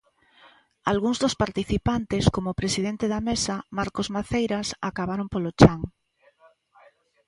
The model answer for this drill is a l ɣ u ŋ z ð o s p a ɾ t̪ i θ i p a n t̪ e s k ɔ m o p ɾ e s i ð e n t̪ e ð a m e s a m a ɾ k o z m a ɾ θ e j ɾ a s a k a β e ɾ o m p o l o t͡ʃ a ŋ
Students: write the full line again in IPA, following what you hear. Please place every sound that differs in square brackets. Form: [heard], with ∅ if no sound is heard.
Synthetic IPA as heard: a l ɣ u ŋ z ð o s p a ɾ t̪ i θ i p a n t̪ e s k [o] m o p ɾ e s i ð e n t̪ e ð a m e s a m a ɾ k o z m a [∅] θ e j ɾ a s a k a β [a] ɾ o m p o l o t͡ʃ a ŋ